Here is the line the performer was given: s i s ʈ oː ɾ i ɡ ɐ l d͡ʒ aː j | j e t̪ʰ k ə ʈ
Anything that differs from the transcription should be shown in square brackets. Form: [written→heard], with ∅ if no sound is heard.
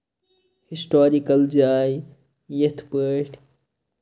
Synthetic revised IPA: [s→h] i s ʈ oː ɾ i [ɡ→k] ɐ l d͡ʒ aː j | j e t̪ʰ [k→p] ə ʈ